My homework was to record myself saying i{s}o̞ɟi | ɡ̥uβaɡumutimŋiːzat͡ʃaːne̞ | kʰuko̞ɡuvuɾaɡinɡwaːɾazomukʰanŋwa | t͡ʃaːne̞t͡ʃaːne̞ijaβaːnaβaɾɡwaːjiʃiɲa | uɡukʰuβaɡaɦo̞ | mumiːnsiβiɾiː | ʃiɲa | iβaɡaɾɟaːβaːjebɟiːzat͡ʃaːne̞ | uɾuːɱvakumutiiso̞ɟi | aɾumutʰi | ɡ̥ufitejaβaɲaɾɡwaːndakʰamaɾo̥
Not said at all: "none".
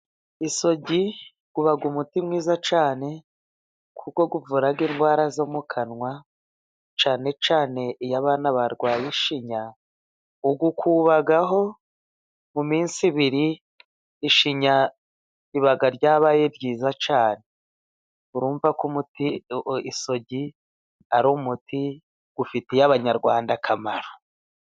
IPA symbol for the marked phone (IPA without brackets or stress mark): s